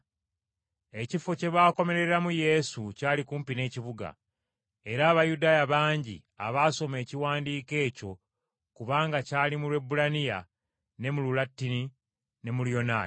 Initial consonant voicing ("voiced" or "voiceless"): voiceless